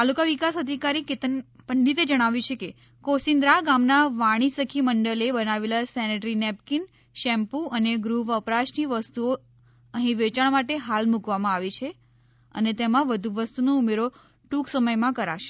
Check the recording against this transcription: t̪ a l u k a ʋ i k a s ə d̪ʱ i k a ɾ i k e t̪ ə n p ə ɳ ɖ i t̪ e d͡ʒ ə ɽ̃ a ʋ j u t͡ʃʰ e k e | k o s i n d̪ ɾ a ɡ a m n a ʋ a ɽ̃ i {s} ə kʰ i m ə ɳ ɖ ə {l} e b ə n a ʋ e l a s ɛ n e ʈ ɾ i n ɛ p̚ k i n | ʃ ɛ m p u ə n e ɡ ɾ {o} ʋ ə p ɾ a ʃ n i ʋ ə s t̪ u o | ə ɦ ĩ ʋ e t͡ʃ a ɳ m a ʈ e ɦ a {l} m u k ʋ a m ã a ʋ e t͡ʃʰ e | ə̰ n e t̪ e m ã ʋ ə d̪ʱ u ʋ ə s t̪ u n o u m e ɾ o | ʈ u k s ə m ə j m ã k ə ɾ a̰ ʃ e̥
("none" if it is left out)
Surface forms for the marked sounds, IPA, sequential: s, l, u, l

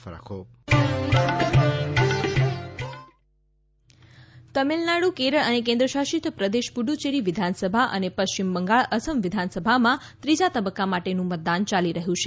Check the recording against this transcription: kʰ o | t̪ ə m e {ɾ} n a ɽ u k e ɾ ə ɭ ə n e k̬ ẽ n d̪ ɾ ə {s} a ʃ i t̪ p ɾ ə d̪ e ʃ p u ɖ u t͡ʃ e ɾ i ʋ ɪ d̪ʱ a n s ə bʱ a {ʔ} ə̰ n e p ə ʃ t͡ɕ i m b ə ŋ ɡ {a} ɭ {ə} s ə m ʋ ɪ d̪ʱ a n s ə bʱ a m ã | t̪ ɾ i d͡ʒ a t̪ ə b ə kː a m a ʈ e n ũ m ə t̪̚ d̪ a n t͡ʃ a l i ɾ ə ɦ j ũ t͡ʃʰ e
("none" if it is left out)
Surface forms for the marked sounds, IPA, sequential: l, ʃ, ʔ, a, ə

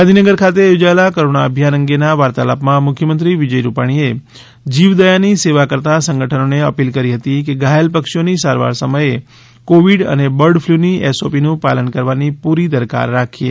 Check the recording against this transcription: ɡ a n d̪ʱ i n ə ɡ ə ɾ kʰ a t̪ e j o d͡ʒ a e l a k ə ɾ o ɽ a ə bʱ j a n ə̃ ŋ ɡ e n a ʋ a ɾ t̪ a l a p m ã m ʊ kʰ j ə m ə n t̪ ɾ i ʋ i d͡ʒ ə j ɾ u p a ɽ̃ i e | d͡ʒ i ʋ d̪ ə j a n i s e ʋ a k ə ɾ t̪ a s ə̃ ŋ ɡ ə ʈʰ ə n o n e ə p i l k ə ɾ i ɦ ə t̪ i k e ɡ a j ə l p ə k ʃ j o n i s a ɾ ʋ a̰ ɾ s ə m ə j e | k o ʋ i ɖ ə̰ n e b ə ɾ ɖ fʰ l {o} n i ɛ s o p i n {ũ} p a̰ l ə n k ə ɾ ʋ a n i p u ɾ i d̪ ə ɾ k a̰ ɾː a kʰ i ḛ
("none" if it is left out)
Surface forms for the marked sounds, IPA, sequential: u, ũ

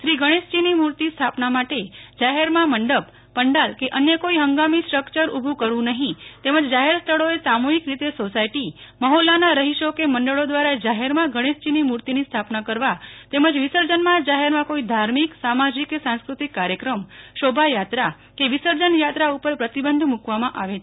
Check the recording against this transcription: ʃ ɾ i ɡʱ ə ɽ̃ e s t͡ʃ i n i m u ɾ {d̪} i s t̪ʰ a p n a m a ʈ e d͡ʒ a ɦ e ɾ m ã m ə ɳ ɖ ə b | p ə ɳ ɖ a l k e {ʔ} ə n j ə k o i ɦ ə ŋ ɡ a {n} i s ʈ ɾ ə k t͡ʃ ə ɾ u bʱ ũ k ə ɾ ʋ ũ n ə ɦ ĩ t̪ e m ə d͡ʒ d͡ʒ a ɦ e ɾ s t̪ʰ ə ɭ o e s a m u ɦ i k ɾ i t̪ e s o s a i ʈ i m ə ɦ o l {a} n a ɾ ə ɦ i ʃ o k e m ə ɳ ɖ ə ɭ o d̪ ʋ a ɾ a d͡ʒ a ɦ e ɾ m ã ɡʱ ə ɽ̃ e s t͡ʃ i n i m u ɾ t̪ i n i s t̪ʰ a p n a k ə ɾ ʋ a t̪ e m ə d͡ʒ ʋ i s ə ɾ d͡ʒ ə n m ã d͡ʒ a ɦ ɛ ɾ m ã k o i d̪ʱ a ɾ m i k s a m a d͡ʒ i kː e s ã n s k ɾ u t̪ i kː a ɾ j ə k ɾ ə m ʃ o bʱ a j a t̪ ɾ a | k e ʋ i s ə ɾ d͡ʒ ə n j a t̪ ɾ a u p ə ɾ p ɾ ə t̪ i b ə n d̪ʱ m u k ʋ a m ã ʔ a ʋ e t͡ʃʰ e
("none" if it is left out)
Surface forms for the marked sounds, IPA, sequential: t̪, ʔ, m, a

